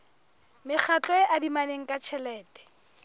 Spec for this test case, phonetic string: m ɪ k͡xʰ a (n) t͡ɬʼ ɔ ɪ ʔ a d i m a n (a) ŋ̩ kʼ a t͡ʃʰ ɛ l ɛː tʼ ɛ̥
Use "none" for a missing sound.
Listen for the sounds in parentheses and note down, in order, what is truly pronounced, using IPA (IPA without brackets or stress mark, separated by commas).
none, e